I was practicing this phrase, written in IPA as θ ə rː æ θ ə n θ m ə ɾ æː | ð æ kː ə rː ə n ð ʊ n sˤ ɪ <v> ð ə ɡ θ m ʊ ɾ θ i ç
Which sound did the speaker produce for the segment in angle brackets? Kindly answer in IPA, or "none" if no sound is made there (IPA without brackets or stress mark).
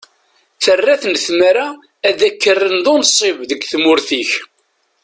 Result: v